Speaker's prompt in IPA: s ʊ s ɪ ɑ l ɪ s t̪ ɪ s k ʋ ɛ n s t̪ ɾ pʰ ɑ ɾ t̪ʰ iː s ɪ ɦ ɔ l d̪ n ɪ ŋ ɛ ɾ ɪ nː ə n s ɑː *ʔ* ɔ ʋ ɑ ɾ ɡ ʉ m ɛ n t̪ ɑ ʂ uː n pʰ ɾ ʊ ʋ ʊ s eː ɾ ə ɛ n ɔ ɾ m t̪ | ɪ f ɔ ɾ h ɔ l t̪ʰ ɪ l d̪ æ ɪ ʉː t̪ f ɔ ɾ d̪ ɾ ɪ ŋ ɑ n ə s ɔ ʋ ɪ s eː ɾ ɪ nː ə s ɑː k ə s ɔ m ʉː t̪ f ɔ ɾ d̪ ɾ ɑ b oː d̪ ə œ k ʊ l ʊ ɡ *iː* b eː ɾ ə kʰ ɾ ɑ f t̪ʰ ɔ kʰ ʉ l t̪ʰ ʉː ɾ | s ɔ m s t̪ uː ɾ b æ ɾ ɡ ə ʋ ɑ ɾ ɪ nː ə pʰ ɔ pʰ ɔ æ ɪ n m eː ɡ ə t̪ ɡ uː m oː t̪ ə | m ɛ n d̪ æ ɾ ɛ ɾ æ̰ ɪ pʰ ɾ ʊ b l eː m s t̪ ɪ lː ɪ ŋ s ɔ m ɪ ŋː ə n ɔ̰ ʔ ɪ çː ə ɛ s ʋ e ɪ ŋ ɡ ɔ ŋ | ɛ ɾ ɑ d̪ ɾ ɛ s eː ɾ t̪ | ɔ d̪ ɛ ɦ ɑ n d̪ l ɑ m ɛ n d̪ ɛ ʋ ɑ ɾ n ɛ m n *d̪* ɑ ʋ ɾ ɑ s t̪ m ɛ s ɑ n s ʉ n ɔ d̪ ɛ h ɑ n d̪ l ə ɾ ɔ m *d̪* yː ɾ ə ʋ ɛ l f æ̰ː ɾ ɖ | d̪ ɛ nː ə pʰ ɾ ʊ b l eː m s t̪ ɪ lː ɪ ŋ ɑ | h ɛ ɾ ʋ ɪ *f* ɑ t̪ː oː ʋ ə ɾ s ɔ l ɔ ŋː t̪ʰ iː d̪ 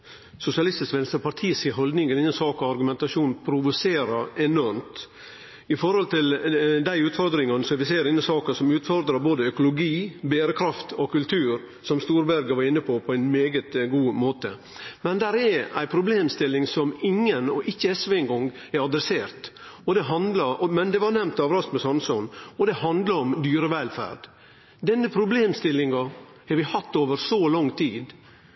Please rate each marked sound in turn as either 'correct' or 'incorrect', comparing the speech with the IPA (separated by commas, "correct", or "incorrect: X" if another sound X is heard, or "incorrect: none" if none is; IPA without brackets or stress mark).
incorrect: k, correct, incorrect: t̪, correct, incorrect: h